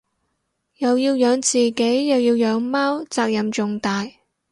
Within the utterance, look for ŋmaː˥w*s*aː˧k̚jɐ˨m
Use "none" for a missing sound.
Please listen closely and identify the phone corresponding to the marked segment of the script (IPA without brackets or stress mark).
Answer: t͡s